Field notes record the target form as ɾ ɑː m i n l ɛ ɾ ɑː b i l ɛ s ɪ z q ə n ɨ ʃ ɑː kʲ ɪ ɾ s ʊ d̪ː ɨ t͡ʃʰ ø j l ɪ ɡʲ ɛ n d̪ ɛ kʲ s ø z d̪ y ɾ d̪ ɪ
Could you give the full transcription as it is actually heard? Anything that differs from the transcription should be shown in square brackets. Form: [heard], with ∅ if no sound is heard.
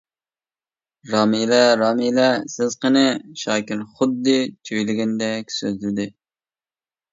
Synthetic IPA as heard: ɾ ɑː m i [∅] l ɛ ɾ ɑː [m] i l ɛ s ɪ z q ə n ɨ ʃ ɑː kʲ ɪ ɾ [χ] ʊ d̪ː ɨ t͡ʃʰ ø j l ɪ ɡʲ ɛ n d̪ ɛ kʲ s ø z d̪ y ɾ d̪ ɪ